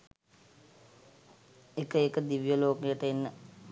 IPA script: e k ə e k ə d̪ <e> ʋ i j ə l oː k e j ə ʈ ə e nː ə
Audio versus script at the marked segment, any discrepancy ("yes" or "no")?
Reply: yes